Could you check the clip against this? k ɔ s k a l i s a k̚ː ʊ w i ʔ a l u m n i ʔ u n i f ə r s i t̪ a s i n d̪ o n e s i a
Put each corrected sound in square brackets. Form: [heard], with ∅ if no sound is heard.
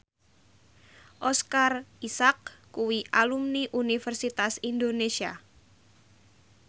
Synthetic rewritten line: [ʔ] ɔ s k a [r] i s a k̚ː [u] w i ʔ a l u m n i ʔ u n i f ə r s i t̪ a s i n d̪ o n e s i a